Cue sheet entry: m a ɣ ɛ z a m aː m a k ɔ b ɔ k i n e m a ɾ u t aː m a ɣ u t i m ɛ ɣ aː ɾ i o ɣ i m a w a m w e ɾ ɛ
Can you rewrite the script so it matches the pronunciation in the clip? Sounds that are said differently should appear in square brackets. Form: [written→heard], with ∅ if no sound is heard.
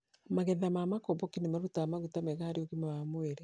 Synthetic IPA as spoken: m a ɣ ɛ [z→ð] a m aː m a k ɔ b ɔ k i n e m a ɾ u t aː m a ɣ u t [i→a] m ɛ ɣ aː ɾ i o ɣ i m a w a m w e ɾ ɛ